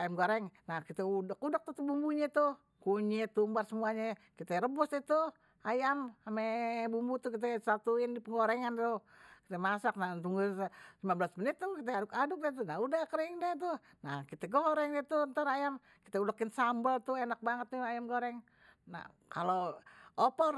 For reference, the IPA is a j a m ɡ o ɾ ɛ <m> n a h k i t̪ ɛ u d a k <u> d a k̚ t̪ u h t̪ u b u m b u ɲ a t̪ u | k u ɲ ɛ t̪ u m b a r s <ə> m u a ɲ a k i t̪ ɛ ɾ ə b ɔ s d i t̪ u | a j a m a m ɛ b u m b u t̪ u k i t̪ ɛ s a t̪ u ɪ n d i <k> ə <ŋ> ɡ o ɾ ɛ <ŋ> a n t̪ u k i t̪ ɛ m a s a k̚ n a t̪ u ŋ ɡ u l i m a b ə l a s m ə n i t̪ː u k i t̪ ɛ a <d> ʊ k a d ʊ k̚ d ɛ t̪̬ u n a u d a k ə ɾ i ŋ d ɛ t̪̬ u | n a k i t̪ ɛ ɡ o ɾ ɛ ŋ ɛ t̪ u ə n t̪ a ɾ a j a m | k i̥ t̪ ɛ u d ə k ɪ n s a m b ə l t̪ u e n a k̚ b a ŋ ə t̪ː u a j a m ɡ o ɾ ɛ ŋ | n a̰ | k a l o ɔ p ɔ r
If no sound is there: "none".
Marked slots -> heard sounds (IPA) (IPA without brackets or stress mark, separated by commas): ŋ, u, ə, p, ŋ, ŋ, d